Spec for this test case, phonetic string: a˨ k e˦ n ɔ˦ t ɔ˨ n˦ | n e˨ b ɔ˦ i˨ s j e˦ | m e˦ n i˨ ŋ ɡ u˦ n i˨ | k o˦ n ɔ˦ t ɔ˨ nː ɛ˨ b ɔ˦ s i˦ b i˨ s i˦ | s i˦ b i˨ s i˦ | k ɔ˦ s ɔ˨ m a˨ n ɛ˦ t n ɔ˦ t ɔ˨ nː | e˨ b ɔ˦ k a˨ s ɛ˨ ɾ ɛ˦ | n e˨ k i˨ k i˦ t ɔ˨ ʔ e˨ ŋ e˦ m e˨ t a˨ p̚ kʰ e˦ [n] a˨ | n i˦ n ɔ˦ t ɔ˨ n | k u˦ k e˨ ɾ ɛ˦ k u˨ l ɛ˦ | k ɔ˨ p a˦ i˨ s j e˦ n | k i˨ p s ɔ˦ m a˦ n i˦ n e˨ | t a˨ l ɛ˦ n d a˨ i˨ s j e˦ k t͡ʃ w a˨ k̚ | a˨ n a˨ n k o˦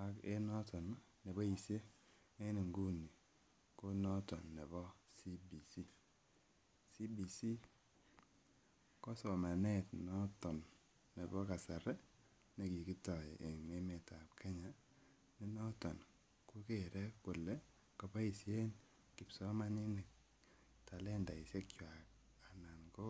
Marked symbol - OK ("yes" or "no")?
no